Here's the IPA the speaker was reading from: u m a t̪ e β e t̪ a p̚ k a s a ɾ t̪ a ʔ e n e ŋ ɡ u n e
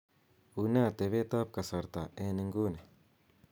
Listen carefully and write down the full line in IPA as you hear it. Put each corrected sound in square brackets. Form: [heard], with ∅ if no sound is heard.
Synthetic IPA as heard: u [n] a t̪ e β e t̪ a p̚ k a s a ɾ t̪ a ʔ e n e ŋ ɡ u n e